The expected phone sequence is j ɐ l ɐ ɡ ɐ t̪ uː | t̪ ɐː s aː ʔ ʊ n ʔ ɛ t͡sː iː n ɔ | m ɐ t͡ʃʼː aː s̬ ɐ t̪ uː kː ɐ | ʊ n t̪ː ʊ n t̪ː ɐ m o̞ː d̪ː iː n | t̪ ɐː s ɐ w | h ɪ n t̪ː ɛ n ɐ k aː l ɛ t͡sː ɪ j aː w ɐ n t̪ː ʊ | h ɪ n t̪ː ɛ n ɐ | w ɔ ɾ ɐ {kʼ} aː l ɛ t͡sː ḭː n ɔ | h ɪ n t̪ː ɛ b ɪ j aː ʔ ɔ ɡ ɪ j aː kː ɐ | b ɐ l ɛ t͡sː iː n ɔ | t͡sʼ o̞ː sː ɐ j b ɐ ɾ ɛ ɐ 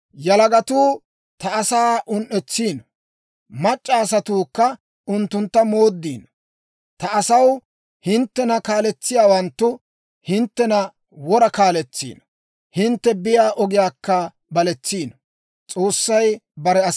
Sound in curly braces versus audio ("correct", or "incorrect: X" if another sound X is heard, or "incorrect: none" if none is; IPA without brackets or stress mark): incorrect: k